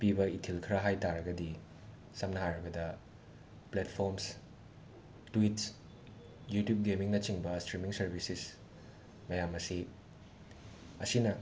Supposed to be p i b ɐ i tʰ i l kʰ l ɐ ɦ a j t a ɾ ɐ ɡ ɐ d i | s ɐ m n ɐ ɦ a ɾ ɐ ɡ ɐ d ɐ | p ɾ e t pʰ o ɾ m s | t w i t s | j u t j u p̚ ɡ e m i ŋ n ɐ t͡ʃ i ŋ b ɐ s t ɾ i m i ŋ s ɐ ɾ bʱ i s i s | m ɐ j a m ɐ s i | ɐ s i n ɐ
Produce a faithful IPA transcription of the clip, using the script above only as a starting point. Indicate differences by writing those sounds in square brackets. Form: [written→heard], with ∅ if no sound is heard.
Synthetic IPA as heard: p i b ɐ i tʰ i l kʰ [l→ɾ] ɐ ɦ a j t a ɾ ɐ ɡ ɐ d i | s ɐ m n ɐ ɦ a ɾ ɐ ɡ ɐ d ɐ | p [ɾ→l] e t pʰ o ɾ m s | t w i t s | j u t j u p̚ ɡ e m i ŋ n ɐ t͡ʃ i ŋ b ɐ s t ɾ i m i ŋ s ɐ ɾ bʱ i s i s | m ɐ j a m ɐ s i | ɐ s i n ɐ